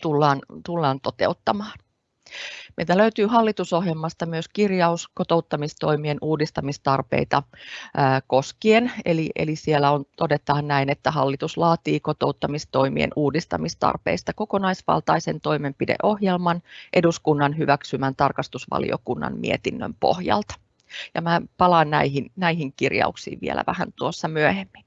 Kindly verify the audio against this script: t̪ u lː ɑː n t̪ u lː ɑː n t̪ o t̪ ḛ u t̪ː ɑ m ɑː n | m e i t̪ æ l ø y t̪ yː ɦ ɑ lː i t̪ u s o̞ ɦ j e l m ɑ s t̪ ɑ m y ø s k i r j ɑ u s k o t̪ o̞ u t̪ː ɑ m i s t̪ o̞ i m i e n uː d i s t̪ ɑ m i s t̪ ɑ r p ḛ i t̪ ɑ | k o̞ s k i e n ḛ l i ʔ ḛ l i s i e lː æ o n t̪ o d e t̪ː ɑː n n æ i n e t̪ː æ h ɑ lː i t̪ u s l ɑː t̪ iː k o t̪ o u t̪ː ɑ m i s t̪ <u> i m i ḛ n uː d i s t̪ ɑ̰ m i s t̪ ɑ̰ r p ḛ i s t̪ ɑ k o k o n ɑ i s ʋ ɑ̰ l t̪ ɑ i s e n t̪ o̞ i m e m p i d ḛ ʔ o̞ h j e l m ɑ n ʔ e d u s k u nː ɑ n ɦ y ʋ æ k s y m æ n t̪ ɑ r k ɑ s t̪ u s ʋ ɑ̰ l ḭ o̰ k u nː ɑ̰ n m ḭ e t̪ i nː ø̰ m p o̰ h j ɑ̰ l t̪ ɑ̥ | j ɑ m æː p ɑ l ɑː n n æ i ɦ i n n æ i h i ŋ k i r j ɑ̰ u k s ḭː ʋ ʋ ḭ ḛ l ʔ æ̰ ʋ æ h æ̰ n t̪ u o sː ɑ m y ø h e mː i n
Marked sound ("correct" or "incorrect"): incorrect